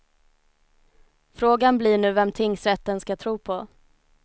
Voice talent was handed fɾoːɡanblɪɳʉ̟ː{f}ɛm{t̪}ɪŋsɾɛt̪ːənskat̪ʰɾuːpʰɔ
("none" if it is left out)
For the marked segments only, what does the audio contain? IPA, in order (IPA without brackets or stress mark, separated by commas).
v, t̪ʰ